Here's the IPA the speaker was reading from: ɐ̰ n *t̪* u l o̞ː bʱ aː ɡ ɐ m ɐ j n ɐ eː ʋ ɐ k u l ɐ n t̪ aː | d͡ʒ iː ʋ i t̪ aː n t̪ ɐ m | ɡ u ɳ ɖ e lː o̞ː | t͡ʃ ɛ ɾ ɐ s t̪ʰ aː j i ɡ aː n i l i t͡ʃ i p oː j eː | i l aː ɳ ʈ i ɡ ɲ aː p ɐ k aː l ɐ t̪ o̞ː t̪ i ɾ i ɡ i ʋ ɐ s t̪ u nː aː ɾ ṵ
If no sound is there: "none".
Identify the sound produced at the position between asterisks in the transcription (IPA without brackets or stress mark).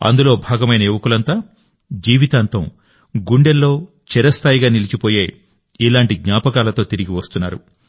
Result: d̪